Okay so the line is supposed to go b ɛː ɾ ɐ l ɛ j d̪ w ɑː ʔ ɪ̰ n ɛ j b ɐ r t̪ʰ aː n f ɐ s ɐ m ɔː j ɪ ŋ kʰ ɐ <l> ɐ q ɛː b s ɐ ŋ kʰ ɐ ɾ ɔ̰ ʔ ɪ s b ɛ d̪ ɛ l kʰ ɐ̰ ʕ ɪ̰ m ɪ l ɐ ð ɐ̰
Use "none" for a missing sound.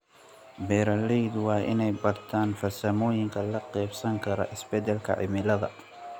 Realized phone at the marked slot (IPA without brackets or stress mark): l